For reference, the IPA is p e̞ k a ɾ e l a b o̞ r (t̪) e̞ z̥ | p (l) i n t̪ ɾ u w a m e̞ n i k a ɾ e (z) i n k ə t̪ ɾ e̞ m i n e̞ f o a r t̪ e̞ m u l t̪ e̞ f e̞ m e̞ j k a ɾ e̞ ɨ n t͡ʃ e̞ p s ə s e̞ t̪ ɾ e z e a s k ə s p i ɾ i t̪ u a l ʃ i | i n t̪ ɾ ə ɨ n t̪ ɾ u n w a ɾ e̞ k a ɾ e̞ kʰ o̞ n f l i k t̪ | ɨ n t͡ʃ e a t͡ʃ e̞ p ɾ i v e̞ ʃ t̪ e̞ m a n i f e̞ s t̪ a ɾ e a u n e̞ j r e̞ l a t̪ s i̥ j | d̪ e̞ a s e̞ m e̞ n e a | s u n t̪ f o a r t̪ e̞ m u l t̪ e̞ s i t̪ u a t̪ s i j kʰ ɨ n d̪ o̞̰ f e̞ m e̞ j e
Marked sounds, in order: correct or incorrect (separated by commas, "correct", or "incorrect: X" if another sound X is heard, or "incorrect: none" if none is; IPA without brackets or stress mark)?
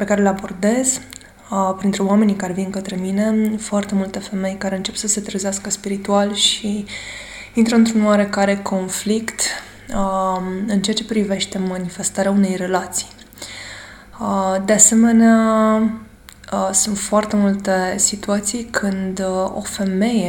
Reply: incorrect: d̪, incorrect: ɾ, incorrect: v